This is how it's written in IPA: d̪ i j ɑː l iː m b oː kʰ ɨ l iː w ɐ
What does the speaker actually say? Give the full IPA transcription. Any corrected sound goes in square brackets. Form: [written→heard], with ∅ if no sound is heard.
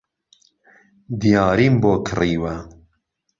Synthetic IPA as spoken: d̪ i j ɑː [l→ɾ] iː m b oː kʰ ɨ [l→r] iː w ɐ